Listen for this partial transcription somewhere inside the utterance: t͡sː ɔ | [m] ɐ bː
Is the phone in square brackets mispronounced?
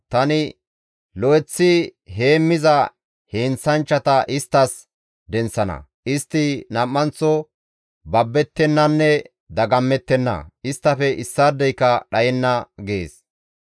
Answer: yes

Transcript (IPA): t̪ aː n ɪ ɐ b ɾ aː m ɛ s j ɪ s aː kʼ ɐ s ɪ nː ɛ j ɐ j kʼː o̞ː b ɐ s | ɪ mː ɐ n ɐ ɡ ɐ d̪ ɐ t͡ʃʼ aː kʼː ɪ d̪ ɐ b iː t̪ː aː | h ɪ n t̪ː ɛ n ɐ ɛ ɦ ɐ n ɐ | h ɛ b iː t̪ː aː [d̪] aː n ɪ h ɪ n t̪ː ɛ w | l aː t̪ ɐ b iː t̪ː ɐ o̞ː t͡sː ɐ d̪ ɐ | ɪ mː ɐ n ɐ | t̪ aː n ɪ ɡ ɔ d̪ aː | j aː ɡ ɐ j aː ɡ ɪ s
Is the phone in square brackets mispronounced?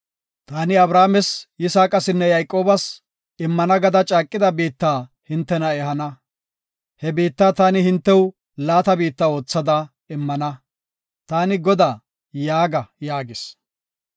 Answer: yes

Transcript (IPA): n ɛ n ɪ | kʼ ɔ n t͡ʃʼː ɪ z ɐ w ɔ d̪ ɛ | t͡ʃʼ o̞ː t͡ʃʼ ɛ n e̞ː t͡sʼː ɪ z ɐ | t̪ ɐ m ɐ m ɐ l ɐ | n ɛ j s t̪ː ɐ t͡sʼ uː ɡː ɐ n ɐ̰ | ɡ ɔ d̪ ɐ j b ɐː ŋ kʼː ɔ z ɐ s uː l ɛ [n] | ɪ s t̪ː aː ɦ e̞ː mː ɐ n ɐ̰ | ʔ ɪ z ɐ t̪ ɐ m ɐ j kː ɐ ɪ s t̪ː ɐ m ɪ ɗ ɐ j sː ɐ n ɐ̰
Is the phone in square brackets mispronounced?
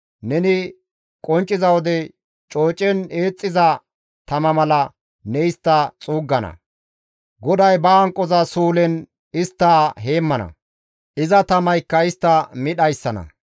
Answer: no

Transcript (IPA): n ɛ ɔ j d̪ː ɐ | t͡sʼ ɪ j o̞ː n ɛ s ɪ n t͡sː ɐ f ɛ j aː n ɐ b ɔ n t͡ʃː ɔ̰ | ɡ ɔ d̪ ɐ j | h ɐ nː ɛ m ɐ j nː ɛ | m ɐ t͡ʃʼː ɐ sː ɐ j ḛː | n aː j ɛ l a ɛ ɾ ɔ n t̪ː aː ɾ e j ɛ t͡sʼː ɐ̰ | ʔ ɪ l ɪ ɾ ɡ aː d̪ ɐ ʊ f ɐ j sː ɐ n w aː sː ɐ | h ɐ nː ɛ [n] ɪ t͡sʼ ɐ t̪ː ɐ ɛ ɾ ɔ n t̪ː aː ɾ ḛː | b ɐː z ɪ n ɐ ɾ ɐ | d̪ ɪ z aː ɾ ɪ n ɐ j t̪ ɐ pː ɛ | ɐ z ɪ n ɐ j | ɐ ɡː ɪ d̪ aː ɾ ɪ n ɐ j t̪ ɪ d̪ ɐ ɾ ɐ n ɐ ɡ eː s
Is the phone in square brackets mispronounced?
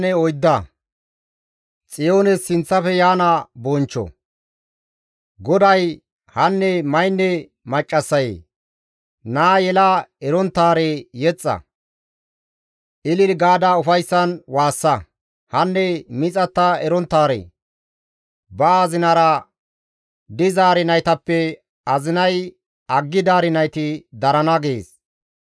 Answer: yes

